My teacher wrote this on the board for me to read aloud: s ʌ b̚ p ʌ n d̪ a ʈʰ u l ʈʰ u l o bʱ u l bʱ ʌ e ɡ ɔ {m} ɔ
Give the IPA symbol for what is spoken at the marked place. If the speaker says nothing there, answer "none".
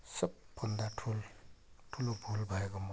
m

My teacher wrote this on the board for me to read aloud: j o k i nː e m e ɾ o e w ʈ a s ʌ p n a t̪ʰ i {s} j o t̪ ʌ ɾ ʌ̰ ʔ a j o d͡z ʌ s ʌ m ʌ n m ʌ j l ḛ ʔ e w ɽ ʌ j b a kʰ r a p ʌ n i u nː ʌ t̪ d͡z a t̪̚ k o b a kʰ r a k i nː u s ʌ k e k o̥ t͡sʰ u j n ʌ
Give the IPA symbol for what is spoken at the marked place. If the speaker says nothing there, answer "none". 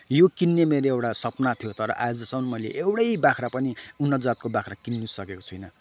none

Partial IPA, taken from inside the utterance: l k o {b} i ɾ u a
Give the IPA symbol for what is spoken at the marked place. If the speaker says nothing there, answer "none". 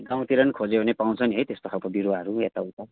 b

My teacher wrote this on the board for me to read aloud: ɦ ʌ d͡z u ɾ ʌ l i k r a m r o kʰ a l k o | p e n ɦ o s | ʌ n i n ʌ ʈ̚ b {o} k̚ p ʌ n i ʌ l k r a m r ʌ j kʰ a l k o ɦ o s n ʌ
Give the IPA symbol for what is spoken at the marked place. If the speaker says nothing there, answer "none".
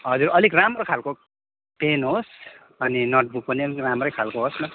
u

